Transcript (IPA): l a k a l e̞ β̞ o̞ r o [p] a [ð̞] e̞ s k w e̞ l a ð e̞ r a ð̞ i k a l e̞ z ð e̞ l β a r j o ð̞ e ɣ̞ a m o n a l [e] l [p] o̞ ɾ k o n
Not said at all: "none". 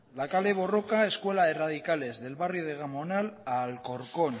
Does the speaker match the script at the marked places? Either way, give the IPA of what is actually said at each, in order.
k, none, a, k

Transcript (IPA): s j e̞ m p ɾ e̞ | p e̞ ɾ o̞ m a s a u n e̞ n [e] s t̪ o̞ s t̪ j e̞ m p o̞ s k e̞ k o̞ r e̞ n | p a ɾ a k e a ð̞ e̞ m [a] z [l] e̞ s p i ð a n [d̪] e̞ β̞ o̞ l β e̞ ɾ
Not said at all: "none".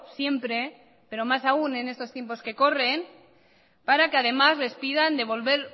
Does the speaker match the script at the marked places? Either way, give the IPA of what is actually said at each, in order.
e, a, l, d̪

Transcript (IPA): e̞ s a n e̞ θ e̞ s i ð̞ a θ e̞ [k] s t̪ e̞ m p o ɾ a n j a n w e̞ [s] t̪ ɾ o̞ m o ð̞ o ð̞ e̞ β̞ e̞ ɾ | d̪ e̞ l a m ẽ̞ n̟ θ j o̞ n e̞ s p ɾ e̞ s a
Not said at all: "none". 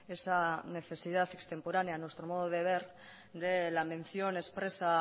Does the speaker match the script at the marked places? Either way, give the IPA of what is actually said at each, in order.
k, s

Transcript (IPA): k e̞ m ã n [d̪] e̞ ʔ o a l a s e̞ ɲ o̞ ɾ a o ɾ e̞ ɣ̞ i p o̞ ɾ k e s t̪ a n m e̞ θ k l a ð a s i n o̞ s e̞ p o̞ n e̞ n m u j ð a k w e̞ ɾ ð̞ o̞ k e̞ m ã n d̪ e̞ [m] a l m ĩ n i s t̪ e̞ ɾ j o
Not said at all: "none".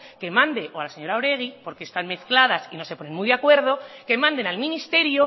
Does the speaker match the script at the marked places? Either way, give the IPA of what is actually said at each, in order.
d̪, n

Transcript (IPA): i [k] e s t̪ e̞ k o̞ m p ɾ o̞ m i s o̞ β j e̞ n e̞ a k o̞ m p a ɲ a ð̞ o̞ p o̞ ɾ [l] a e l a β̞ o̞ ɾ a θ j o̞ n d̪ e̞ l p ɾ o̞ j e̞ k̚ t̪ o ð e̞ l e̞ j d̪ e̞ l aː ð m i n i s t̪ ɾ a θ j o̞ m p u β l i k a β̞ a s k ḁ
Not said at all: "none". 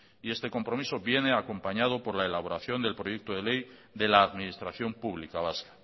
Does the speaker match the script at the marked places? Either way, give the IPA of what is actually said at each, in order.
none, l

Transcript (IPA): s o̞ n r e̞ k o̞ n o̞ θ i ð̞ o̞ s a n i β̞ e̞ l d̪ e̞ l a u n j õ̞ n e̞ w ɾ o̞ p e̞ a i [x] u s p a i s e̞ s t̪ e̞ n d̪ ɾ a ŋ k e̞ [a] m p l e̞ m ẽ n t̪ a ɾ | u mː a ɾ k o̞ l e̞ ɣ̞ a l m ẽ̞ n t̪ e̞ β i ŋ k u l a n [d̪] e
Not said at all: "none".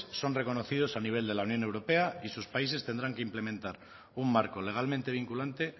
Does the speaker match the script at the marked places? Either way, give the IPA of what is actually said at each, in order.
s, i, t̪

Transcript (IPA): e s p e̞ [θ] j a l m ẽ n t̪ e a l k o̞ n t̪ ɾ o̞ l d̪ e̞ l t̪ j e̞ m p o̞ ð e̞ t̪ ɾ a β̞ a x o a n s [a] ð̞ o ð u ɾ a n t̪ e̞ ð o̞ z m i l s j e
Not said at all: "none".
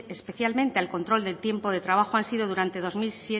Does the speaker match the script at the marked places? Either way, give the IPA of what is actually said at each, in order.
θ, i

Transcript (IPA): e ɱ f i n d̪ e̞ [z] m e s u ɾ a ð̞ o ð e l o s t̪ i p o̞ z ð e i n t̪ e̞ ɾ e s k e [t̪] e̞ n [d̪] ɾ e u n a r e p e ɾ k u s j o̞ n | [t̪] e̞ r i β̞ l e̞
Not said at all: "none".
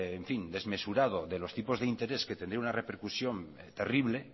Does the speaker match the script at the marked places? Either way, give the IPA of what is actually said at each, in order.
z, t̪, d̪, t̪

